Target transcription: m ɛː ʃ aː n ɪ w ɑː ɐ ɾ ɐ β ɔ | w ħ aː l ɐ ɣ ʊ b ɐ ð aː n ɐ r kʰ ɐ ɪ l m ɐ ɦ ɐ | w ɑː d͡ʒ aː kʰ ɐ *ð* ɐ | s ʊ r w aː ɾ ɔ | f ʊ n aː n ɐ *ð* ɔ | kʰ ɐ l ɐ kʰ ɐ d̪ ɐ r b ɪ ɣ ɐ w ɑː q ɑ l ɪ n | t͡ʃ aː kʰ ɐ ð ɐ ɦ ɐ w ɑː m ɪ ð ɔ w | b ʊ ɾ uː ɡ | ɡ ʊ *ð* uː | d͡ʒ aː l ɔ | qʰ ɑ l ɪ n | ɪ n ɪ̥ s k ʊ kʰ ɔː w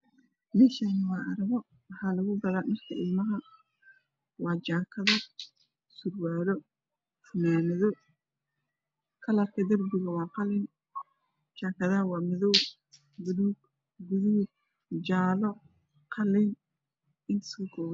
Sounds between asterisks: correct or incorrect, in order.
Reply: correct, correct, correct

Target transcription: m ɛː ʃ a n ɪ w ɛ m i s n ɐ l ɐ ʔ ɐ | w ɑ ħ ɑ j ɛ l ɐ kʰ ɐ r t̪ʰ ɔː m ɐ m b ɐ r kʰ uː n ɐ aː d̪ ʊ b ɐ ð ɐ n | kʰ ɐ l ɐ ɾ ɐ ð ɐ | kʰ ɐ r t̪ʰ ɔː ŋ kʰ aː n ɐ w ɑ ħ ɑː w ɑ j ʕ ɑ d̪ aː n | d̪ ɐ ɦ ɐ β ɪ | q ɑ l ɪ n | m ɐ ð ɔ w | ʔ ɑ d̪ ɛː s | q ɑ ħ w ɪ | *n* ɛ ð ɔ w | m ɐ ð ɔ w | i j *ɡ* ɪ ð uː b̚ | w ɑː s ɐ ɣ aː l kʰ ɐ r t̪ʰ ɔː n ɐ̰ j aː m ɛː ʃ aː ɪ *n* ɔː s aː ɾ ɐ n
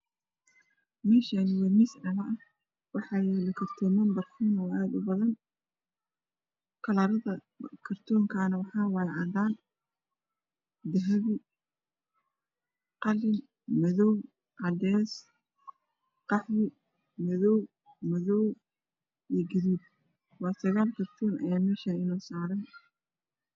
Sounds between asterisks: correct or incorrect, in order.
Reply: incorrect: m, correct, correct

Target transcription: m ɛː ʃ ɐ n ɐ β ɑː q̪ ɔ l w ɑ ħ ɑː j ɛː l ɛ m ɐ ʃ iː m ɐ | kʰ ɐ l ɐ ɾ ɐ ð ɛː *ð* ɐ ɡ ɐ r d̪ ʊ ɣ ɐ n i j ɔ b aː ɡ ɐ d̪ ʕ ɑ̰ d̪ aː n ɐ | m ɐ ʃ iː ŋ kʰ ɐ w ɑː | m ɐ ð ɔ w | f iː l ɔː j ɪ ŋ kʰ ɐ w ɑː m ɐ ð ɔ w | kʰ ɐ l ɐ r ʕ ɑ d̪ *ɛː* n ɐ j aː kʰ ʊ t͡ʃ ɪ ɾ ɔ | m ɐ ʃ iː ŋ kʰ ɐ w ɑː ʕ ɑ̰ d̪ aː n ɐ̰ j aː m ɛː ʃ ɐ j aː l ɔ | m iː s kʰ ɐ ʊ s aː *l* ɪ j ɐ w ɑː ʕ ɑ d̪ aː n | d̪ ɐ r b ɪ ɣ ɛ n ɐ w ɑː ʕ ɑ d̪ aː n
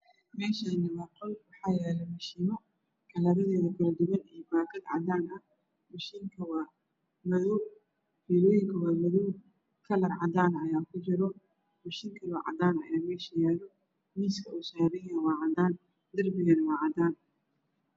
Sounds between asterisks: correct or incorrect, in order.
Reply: correct, incorrect: aː, incorrect: ɾ

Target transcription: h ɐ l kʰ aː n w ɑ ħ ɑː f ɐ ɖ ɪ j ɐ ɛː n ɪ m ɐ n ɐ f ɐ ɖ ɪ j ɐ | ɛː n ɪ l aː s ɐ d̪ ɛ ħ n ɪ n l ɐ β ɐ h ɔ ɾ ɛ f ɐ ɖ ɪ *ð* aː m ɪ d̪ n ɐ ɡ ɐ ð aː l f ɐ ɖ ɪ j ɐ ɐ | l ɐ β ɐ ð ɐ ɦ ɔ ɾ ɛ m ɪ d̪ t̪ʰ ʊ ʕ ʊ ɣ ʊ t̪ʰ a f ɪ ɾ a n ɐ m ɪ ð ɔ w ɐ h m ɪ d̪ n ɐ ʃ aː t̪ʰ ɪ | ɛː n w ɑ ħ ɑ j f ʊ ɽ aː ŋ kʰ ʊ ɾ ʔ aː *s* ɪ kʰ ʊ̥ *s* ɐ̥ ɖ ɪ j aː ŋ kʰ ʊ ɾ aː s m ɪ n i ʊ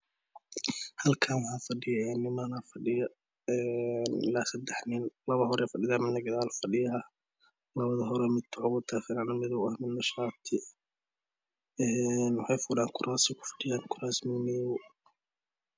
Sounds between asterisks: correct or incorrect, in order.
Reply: correct, correct, incorrect: f

